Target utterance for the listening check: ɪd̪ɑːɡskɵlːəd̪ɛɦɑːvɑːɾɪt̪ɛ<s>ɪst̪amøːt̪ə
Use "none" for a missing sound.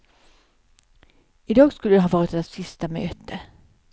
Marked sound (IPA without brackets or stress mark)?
s